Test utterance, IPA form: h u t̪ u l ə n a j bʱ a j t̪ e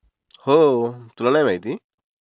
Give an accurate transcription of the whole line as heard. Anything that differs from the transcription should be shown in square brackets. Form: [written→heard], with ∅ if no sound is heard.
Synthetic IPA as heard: h [u→o] t̪ u l [ə→a] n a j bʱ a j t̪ [e→i]

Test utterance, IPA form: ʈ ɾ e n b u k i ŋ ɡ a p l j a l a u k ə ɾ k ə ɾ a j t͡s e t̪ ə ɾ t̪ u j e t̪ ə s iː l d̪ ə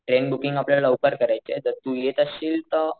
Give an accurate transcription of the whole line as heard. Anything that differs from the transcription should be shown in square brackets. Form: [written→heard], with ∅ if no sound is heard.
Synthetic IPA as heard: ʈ ɾ e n b u k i ŋ ɡ a p l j a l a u k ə ɾ k ə ɾ a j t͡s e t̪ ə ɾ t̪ u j e t̪ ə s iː l [d̪→t̪] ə

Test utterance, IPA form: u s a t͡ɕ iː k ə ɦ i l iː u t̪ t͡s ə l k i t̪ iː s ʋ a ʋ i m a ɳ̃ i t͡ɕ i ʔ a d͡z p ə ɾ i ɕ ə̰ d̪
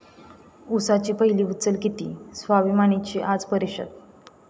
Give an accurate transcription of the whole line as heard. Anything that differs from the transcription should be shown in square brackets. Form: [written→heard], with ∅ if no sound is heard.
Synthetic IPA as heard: u s a t͡ɕ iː [k→p] ə ɦ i l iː u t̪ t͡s ə l k i t̪ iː s ʋ a ʋ i m a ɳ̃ i t͡ɕ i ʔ a d͡z p ə ɾ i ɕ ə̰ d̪

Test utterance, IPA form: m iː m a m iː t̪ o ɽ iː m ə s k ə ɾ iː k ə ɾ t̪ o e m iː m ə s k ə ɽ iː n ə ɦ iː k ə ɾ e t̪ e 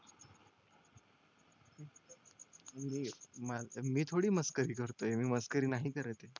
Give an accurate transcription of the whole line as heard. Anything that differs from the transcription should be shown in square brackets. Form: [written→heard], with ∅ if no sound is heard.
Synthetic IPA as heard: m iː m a m iː [t̪→t̪ʰ] o ɽ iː m ə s k ə ɾ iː k ə ɾ t̪ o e m iː m ə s k ə [ɽ→ɾ] iː n [ə→a] ɦ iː k ə ɾ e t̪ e

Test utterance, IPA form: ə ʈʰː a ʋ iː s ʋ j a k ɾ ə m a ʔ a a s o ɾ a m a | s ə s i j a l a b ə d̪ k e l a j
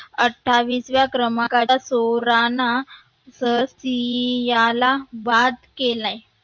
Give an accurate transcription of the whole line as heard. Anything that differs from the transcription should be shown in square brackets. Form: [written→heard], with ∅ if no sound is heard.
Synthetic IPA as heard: ə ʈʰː a ʋ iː s ʋ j a k ɾ ə m a [ʔ→k] a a s o ɾ a [m→n] a | s ə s i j a l a b [ə→a] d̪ k e l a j

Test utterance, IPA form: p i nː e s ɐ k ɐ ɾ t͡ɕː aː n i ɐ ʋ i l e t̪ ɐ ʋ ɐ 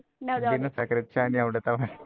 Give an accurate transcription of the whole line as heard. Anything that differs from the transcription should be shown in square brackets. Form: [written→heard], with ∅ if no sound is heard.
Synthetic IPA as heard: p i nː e s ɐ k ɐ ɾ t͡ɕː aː n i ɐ ʋ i [l→ɽ] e t̪ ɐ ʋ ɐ

